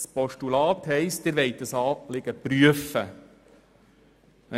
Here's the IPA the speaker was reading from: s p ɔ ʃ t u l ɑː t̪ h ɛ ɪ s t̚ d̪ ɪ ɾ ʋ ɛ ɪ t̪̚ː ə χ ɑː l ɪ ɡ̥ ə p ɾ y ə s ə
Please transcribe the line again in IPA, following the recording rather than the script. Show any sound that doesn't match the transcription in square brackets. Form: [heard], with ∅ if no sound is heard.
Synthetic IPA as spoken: s p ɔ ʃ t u l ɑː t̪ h ɛ ɪ s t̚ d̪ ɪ ɾ ʋ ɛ ɪ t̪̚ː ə [s] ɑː l ɪ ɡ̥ ə p ɾ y ə [f] ə